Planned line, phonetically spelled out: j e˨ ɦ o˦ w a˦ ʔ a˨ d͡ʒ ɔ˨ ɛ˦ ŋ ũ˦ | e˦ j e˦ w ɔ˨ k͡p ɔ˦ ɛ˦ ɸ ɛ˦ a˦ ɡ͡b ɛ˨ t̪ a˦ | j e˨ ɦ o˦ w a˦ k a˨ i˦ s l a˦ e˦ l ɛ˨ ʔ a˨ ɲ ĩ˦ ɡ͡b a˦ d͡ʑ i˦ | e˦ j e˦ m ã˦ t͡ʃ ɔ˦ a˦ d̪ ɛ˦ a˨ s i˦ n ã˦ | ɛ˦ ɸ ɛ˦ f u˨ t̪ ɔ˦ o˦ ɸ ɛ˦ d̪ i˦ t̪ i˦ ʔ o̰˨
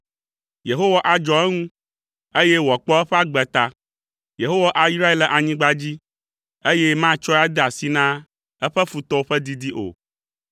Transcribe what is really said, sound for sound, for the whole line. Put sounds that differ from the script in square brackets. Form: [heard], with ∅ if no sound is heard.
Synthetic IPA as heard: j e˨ ɦ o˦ w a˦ ʔ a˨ d͡ʒ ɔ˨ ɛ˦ ŋ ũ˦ | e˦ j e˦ w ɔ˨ k͡p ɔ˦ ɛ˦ ɸ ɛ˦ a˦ ɡ͡b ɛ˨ t̪ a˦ | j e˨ ɦ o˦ w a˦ [ʔ] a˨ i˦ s [ɾ] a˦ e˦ l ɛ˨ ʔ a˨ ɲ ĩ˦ ɡ͡b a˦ d͡ʑ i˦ | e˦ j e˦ m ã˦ t͡ʃ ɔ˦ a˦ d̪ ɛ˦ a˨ s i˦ n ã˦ | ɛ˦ ɸ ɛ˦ f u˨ t̪ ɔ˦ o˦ ɸ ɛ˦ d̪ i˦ [d̪] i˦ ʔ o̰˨